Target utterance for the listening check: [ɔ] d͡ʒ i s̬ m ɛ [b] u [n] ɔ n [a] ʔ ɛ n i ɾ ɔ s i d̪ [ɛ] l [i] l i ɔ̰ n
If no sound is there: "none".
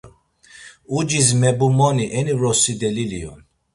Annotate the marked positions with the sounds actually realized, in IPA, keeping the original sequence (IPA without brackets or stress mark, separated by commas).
u, b, m, i, ɛ, i